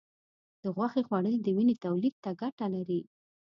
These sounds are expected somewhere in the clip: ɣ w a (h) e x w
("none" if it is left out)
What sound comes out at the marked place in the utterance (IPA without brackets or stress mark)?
x